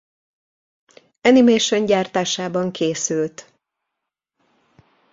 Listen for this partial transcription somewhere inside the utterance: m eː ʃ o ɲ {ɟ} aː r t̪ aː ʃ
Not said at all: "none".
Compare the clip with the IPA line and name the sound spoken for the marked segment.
ɟ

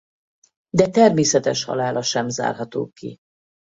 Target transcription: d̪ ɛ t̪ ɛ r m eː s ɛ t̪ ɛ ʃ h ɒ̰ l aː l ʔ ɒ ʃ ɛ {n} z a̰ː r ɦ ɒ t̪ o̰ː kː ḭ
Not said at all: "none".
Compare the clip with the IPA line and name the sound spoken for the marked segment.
m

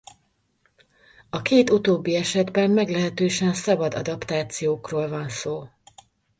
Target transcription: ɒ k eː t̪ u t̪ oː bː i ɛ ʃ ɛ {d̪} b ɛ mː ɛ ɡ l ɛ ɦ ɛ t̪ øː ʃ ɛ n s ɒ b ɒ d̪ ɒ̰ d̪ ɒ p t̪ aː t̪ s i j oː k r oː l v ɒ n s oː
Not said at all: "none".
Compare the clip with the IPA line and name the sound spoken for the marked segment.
d̪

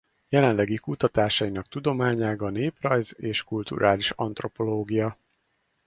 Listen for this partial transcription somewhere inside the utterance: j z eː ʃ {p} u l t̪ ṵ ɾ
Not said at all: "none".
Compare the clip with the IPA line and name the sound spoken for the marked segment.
k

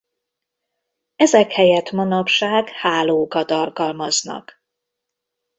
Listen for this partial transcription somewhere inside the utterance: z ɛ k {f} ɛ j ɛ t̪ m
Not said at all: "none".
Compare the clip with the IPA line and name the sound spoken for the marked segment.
h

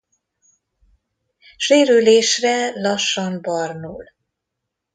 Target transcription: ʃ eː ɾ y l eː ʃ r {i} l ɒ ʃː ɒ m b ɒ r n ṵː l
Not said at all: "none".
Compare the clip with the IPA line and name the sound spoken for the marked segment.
ɛ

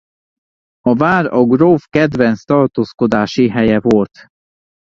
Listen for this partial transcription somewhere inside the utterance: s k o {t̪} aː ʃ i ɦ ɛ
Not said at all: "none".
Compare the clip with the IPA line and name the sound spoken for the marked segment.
d̪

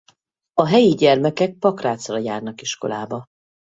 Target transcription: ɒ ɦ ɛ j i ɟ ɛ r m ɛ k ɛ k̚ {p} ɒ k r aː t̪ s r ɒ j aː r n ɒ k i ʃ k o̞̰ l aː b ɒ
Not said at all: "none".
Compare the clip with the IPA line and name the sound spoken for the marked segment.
p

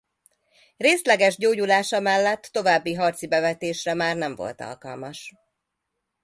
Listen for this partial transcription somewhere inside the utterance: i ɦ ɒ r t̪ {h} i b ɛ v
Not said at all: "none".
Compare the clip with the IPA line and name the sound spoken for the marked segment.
s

